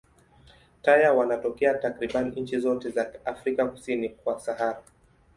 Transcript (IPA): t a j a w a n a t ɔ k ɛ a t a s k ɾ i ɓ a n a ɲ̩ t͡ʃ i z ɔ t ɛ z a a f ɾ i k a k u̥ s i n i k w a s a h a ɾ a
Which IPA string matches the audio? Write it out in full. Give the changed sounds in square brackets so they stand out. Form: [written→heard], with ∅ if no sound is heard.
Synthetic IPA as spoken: t a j a w a n a t ɔ k ɛ a t a [s→∅] k ɾ i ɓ a n [a→i] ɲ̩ t͡ʃ i z ɔ t ɛ z a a f ɾ i k a k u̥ s i n i k w a s a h a ɾ a